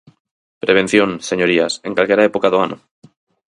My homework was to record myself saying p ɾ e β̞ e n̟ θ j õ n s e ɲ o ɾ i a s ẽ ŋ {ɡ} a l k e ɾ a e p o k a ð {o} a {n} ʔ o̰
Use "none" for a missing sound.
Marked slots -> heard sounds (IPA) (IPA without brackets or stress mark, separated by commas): k, o, n